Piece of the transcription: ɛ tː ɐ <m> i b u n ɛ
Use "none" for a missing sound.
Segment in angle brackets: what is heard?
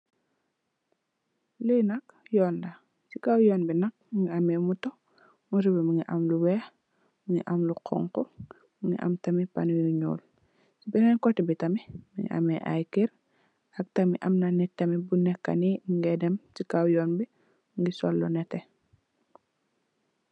m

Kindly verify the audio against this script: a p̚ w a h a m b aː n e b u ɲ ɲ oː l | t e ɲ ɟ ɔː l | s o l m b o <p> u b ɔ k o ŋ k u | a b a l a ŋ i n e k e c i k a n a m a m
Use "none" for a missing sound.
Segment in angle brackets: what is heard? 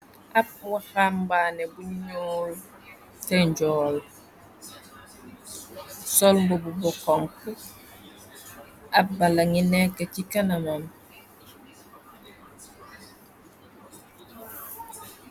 b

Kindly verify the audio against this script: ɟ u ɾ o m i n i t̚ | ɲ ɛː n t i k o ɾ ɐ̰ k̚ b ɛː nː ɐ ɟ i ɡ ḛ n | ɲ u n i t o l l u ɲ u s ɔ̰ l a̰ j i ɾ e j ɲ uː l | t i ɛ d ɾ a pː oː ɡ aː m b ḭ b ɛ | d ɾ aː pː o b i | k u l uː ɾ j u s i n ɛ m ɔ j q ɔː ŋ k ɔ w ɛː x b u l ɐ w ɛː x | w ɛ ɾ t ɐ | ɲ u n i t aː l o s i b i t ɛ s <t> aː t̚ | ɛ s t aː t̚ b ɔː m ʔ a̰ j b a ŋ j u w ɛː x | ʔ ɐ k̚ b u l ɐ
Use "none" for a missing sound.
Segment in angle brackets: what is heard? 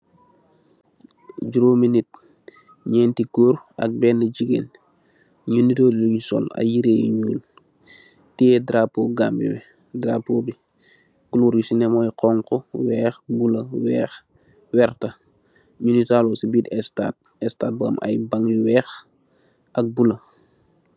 t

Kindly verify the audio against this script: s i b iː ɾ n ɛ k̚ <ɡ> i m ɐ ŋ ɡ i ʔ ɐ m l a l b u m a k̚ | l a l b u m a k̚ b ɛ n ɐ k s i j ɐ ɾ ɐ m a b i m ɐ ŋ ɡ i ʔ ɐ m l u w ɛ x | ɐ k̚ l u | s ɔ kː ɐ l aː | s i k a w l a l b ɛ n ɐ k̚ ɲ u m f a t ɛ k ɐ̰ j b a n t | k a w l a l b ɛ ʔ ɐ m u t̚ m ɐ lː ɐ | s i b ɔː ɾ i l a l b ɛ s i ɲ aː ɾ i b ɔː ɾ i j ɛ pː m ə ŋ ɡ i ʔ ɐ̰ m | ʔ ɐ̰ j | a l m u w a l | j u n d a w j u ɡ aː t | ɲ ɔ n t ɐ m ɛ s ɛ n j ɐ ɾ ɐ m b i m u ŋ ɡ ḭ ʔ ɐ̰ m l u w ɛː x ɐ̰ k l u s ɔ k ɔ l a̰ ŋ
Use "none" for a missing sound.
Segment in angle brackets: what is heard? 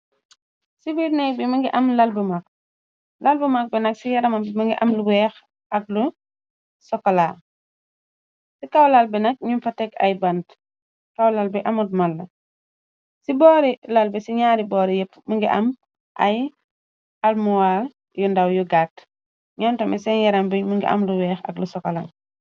b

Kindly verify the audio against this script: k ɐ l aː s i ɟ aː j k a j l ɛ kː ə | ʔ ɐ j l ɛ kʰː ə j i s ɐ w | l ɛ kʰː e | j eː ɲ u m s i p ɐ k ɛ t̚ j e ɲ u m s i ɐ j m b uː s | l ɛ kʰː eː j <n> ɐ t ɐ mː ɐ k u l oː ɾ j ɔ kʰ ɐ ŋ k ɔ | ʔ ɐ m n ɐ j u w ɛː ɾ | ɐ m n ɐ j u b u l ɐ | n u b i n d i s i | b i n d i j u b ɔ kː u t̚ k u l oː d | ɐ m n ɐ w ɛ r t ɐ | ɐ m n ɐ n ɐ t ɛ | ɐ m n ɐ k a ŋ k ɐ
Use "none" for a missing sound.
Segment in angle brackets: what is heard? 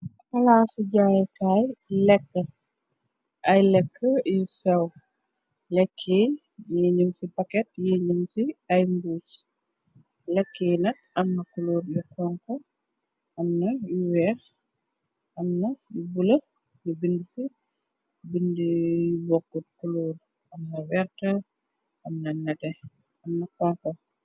n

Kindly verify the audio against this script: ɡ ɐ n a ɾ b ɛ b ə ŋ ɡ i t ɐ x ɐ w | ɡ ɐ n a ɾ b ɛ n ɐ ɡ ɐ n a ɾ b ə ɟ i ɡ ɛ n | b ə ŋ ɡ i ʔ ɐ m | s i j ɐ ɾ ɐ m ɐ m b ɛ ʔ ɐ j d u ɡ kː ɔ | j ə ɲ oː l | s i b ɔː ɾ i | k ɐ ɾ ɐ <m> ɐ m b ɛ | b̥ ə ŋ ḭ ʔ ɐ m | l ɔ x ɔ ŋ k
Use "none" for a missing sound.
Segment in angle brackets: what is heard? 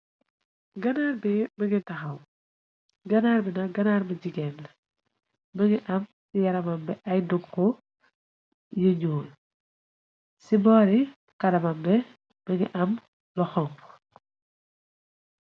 m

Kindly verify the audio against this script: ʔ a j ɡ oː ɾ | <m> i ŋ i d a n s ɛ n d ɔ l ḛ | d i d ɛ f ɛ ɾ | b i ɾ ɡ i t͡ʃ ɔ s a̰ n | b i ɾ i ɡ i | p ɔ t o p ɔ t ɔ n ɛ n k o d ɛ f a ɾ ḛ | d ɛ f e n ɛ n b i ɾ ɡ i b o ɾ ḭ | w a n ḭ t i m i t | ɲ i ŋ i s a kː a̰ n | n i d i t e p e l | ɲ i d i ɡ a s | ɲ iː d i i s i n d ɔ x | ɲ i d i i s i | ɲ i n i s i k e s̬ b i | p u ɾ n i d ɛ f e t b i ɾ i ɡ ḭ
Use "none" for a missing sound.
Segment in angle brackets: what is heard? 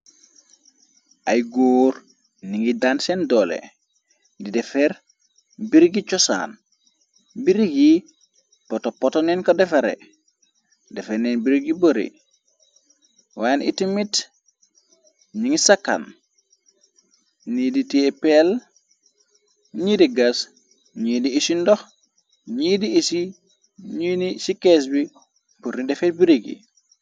n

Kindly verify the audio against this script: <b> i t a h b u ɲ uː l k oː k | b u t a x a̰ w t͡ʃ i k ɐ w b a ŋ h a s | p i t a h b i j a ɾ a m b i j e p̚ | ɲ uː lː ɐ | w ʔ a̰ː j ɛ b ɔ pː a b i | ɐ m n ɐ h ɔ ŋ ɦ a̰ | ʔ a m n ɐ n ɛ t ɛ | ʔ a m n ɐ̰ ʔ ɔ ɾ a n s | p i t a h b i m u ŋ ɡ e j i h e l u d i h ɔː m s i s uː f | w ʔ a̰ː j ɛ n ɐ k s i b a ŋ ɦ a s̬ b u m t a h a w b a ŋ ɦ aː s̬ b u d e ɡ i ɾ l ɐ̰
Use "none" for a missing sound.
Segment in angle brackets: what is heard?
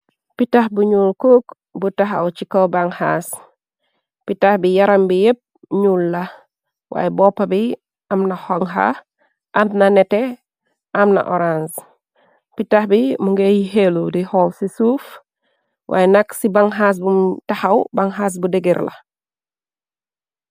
p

